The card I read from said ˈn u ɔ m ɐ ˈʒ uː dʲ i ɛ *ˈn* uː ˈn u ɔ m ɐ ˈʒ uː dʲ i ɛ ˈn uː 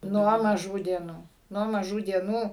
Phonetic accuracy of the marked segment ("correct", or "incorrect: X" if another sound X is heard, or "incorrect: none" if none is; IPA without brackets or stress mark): correct